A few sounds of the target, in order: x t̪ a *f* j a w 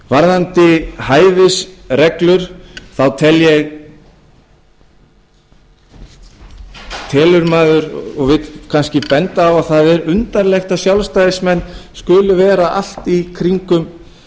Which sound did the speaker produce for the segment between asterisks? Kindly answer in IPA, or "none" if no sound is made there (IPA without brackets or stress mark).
s